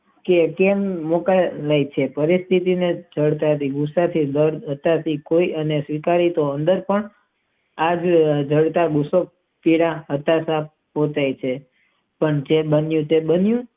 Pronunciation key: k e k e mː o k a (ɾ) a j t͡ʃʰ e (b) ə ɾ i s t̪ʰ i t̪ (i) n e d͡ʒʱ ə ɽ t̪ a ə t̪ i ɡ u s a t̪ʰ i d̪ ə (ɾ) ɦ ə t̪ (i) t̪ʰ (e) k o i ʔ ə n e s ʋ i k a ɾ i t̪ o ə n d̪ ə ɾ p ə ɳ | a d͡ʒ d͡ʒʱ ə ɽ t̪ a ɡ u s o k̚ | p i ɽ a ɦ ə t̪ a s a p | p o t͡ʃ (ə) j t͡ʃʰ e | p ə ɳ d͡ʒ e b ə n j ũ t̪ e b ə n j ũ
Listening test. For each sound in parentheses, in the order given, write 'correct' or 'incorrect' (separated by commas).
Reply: incorrect, incorrect, correct, correct, incorrect, incorrect, incorrect